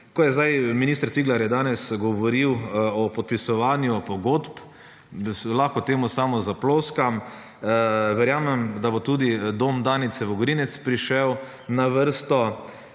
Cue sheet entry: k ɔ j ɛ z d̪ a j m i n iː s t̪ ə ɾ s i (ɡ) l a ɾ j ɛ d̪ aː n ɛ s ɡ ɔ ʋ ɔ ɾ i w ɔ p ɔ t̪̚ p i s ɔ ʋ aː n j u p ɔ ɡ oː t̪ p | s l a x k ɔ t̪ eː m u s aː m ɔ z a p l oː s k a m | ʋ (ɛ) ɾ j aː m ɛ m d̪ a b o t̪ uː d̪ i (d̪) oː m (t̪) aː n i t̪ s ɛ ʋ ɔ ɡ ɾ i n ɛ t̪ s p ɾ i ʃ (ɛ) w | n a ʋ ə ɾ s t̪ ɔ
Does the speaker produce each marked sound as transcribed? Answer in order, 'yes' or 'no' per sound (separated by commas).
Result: yes, yes, yes, no, yes